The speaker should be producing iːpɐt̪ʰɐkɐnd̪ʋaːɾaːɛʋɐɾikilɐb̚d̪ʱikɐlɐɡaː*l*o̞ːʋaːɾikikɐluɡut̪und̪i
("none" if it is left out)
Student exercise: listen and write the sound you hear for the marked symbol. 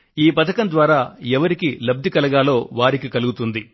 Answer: l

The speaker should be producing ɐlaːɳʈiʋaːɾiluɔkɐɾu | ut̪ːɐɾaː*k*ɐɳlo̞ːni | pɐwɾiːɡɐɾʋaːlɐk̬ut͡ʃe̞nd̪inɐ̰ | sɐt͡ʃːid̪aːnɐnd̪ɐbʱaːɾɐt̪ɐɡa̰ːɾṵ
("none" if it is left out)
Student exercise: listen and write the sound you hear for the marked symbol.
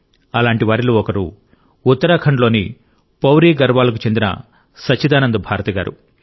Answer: kʰ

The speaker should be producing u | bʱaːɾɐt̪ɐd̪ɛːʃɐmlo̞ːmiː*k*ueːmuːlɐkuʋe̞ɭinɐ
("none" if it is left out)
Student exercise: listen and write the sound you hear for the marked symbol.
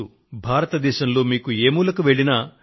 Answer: k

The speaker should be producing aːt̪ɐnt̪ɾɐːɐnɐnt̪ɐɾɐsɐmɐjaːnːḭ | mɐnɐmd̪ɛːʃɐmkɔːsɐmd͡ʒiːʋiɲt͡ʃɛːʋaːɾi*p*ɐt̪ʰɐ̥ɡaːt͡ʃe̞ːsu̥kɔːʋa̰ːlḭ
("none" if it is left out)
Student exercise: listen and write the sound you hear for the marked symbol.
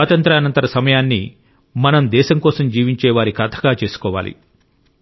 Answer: k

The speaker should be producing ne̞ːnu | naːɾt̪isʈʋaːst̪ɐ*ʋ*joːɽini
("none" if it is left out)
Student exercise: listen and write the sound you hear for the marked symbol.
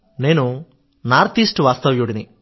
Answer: ʋ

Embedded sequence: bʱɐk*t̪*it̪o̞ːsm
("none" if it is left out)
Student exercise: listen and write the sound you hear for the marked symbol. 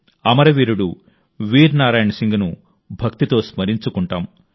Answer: t̪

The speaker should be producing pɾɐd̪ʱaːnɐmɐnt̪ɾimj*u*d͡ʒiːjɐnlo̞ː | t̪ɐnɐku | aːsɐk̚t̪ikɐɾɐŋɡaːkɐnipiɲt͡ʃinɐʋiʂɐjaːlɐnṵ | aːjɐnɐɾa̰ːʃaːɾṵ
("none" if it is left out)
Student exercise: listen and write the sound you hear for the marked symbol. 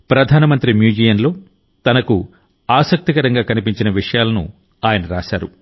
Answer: uː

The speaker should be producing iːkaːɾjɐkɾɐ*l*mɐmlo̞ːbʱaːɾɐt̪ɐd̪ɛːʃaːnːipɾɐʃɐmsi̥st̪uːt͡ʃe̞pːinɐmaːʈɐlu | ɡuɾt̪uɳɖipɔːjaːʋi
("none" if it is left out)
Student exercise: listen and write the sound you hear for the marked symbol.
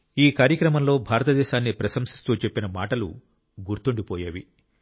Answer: none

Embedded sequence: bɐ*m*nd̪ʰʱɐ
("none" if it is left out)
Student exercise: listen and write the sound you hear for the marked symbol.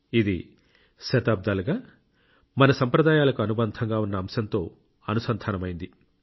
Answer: none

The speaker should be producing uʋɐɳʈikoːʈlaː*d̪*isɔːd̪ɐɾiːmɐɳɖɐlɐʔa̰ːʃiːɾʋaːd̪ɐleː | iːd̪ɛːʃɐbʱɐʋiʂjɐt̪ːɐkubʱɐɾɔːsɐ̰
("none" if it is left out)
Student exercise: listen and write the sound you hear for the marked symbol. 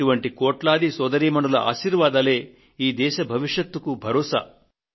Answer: d̪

